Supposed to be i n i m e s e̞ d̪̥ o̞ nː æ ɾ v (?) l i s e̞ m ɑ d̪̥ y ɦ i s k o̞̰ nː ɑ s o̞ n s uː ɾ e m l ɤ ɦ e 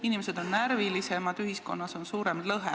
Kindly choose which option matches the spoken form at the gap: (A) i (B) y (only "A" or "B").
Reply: A